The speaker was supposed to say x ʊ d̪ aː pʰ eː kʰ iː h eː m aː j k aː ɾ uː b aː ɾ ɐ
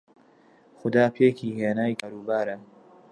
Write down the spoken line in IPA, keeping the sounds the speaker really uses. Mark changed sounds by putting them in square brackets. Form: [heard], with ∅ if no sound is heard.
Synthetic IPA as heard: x ʊ d̪ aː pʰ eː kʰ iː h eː [n] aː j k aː ɾ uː b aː ɾ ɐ